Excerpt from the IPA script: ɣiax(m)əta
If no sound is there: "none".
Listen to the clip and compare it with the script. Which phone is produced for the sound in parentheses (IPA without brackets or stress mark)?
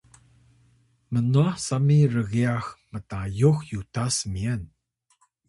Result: m